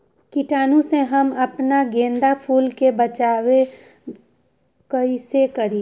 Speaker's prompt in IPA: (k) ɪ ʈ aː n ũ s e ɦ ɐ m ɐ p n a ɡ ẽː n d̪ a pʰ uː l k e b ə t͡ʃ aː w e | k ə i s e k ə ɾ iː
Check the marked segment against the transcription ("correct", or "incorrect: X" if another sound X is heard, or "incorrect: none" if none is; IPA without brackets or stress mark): correct